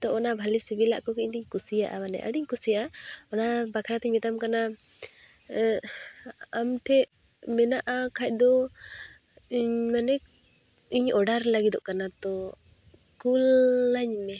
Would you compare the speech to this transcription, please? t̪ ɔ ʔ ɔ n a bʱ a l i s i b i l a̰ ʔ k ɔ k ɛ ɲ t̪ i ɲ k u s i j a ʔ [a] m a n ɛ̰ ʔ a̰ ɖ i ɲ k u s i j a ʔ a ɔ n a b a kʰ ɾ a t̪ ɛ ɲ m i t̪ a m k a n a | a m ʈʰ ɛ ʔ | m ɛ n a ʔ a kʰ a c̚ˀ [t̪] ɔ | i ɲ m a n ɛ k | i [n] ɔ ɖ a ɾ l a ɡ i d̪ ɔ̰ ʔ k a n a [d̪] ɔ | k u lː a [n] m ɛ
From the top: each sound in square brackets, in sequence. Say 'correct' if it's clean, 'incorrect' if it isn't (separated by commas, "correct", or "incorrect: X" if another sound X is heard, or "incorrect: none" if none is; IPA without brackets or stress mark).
correct, incorrect: d̪, incorrect: ɲ, incorrect: t̪, incorrect: ɲ